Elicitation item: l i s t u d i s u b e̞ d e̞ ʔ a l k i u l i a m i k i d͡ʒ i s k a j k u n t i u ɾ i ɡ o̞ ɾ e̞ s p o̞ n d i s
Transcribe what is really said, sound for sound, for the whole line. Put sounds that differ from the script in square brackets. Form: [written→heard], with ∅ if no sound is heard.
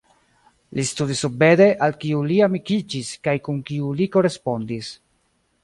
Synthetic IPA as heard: l i s t u d i s u b e̞ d e̞ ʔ a l k i u l i a m i k i d͡ʒ i s k a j k u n [t→k] i u [ɾ→l] i [ɡ→k] o̞ ɾ e̞ s p o̞ n d i s